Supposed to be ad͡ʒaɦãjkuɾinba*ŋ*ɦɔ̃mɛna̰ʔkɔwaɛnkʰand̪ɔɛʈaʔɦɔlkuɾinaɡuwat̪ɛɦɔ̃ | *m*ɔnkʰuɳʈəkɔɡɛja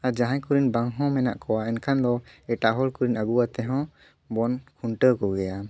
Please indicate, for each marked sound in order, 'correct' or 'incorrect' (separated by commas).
correct, incorrect